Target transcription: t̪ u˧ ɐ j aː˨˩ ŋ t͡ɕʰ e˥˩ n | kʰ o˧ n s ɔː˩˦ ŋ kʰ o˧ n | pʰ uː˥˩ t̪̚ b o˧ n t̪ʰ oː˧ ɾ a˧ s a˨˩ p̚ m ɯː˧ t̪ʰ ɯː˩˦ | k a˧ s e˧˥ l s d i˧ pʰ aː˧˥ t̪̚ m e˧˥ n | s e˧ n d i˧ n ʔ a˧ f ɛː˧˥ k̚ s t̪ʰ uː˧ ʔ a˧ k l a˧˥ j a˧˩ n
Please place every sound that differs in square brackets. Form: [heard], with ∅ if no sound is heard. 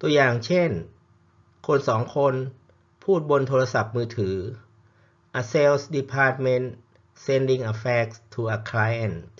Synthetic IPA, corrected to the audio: t̪ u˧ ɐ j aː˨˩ ŋ t͡ɕʰ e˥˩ n | kʰ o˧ n s ɔː˩˦ ŋ kʰ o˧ n | pʰ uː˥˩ t̪̚ b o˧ n t̪ʰ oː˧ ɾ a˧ s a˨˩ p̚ m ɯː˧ t̪ʰ ɯː˩˦ | [ʔ] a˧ s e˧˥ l s d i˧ pʰ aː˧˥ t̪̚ m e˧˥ n | s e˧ n d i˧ [ŋ] ʔ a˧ f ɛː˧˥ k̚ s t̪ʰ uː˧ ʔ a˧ [kʰ] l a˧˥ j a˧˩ n